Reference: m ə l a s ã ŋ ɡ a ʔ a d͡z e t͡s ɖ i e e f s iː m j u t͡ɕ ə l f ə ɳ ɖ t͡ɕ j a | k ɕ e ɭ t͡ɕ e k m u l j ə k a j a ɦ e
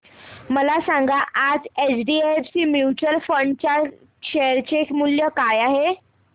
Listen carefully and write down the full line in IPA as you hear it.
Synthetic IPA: m ə l a s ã ŋ ɡ a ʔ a d͡z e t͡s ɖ i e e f s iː m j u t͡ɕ ə l f ə ɳ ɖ t͡ɕ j a | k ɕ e ɾ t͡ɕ e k m u l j ə k a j a ɦ e